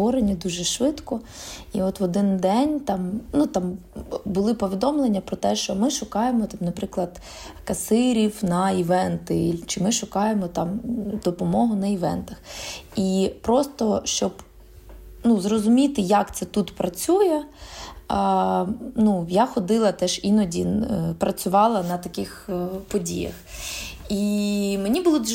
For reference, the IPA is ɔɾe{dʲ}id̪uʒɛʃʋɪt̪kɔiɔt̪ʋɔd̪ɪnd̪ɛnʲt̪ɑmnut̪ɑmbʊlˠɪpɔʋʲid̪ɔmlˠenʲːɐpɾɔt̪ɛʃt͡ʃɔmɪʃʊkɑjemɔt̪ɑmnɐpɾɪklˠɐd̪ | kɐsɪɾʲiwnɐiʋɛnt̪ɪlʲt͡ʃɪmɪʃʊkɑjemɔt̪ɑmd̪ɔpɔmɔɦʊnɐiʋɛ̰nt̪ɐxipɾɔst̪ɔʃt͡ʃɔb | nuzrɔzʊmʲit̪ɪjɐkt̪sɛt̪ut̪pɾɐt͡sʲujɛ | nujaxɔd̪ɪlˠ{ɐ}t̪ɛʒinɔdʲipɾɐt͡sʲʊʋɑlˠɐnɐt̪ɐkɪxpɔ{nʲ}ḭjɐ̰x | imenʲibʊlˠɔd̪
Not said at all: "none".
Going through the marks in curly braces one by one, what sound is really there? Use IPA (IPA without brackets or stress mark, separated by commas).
nʲ, ɐ, dʲ